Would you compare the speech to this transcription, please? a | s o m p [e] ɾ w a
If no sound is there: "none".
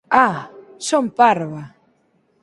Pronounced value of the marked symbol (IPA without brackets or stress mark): a